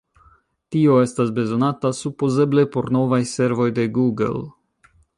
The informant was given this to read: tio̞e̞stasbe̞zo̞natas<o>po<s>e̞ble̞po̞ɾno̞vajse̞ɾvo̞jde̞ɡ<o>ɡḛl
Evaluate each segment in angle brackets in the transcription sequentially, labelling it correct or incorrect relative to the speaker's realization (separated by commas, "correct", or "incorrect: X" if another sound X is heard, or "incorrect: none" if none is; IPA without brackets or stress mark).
incorrect: u, incorrect: z, incorrect: u